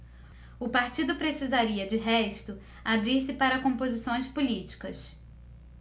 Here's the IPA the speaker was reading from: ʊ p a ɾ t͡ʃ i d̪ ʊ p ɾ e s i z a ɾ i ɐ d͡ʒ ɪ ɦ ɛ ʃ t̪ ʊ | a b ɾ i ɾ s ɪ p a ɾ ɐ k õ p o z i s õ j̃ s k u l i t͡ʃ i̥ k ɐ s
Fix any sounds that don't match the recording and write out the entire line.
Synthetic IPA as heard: ʊ p a ɾ t͡ʃ i d̪ ʊ p ɾ e s i z a ɾ i ɐ d͡ʒ ɪ ɦ ɛ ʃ t̪ ʊ | a b ɾ i ɾ s ɪ p a ɾ ɐ k õ p o z i s õ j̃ s p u l i t͡ʃ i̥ k ɐ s